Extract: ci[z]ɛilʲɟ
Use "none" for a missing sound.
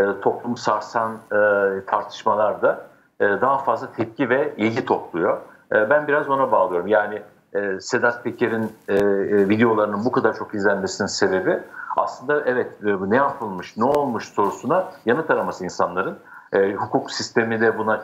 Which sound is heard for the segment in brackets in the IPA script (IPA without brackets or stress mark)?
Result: v